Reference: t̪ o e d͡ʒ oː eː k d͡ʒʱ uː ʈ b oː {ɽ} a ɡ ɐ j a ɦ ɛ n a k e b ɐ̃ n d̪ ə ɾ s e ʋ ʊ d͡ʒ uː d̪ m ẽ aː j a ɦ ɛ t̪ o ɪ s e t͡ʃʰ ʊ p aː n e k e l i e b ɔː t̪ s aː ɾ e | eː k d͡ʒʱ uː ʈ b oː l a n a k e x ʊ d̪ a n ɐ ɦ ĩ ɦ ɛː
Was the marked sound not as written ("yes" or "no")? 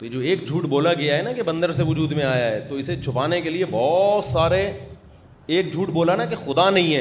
yes